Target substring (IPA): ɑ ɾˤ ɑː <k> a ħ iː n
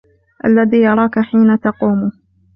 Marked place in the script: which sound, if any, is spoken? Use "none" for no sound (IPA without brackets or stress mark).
k